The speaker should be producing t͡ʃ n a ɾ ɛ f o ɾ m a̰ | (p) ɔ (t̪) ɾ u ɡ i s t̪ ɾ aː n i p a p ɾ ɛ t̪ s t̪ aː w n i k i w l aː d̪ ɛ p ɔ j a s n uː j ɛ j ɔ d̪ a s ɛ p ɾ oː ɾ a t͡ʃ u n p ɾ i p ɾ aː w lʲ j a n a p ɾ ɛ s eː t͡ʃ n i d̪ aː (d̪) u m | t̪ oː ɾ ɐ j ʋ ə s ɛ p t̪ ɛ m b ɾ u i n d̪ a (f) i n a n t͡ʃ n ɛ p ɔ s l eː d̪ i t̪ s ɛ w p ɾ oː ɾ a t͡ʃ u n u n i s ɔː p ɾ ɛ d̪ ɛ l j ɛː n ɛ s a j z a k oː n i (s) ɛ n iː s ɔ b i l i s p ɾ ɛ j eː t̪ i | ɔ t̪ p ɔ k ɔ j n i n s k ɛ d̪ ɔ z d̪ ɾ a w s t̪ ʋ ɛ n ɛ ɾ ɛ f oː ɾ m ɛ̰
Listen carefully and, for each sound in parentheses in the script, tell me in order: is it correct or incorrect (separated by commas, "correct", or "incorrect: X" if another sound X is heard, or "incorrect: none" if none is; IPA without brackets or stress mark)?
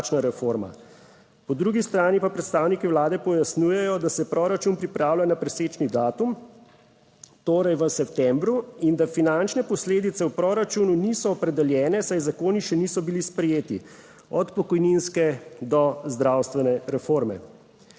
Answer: correct, incorrect: d̪, incorrect: t̪, correct, incorrect: ʃ